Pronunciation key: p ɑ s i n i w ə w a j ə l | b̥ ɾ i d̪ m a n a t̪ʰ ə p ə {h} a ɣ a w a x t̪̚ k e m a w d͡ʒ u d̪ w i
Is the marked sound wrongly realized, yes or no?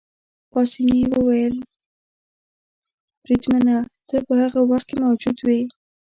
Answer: no